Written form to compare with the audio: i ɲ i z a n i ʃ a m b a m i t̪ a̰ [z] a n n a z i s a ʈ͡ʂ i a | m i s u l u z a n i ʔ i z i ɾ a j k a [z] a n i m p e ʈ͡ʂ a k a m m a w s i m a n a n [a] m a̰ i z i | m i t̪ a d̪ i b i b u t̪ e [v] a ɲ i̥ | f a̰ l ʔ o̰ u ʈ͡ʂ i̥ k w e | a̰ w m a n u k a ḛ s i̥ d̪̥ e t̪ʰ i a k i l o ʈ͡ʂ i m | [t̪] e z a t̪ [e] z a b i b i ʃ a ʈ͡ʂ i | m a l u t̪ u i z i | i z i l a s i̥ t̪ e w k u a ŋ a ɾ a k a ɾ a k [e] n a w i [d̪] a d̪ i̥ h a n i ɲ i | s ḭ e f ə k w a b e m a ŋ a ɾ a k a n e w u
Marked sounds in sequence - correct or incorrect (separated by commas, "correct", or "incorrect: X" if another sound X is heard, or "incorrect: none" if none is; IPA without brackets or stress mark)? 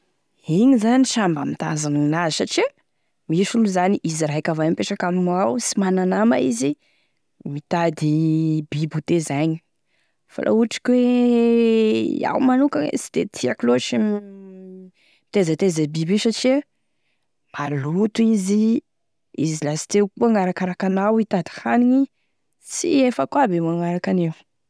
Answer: correct, incorrect: v, correct, incorrect: z, correct, correct, incorrect: a, incorrect: t̪